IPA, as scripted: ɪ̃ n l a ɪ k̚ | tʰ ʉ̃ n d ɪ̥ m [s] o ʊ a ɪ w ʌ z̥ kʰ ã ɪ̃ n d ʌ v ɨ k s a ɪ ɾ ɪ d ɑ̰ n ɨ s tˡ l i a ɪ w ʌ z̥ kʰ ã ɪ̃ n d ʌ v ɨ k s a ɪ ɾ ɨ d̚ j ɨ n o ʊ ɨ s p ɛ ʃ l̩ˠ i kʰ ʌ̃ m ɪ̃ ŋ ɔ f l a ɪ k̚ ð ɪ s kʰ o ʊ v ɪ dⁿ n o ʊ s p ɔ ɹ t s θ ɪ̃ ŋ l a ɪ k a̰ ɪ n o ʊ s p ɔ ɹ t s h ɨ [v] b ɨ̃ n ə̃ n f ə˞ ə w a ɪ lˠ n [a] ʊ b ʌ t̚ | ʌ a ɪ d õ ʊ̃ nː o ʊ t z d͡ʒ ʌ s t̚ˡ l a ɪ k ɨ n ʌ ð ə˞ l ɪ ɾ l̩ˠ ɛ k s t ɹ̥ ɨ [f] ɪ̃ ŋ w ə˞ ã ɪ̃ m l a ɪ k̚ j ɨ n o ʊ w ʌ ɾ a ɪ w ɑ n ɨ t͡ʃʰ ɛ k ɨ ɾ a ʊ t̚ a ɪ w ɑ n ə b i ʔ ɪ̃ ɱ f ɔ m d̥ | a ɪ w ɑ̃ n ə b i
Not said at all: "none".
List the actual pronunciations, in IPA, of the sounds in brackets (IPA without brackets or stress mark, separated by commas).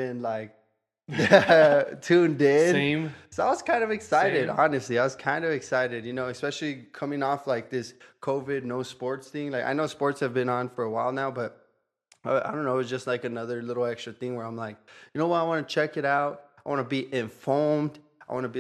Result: s, v, a, θ